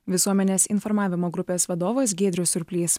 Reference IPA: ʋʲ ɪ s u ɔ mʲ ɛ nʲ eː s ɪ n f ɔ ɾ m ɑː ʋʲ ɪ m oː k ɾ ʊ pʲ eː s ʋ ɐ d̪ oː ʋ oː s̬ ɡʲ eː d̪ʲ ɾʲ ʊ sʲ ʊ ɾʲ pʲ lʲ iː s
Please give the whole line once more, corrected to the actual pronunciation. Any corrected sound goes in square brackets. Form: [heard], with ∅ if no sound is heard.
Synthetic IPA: ʋʲ ɪ s u ɔ mʲ ɛ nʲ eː s ɪ n f ɔ ɾ m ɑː ʋʲ ɪ m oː [ɡ] ɾ ʊ pʲ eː s ʋ ɐ d̪ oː ʋ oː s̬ ɡʲ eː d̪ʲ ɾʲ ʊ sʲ ʊ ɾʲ pʲ lʲ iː s